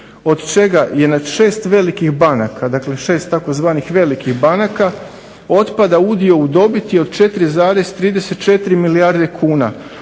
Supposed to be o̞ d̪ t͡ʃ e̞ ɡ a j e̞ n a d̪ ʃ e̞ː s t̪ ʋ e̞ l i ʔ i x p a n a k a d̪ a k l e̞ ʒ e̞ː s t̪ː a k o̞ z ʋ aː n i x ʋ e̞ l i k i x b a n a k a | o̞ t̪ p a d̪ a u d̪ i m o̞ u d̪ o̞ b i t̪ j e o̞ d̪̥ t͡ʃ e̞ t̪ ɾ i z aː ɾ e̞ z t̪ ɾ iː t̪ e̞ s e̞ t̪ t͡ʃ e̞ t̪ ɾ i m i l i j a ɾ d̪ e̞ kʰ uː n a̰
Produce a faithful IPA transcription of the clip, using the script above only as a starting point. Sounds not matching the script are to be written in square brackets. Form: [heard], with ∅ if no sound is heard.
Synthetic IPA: o̞ d̪ t͡ʃ e̞ ɡ a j e̞ n a d̪ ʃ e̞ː s t̪ ʋ e̞ l i [k] i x [b] a n a k a d̪ a k l e̞ [ʃ] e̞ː s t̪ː a k o̞ z ʋ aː n i x ʋ e̞ l i k i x b a n a k a | o̞ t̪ p a d̪ a u d̪ i [∅] o̞ u d̪ o̞ b i t̪ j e o̞ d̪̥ t͡ʃ e̞ t̪ ɾ i z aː ɾ e̞ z t̪ ɾ iː [d̪] e̞ s e̞ t̪ t͡ʃ e̞ t̪ ɾ i m i l i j a ɾ d̪ e̞ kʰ uː n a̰